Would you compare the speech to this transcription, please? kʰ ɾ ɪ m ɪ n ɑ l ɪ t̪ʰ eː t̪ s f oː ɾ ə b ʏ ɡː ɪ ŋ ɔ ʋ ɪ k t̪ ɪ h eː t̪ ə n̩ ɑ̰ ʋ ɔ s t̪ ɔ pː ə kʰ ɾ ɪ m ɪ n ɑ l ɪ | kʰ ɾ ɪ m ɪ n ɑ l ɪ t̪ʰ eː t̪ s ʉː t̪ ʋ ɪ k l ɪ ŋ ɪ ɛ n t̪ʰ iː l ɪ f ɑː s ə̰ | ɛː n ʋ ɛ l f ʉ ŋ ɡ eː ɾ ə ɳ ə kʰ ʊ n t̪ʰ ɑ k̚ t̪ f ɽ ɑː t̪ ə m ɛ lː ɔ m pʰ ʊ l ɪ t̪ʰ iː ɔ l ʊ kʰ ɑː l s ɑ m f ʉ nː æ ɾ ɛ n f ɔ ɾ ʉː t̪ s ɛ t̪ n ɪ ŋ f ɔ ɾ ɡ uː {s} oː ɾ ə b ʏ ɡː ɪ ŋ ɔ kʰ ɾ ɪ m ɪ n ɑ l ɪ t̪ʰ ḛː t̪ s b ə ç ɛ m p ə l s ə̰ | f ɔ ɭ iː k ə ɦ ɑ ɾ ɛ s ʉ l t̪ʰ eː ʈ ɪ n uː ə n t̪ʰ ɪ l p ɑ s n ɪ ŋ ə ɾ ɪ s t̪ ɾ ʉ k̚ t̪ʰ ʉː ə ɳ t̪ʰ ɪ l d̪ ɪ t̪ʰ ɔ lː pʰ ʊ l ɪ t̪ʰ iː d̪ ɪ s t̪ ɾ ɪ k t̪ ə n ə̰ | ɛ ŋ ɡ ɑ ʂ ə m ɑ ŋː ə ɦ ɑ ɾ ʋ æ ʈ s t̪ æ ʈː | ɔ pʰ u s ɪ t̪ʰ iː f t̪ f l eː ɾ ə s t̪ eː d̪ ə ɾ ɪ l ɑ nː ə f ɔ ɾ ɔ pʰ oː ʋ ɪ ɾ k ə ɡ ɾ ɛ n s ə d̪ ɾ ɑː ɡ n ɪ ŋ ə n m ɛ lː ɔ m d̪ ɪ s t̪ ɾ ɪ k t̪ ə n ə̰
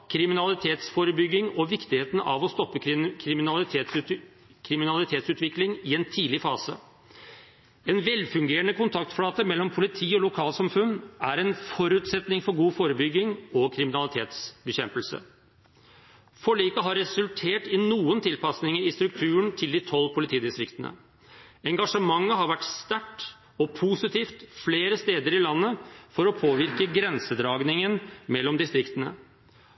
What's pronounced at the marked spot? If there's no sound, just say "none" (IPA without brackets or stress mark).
f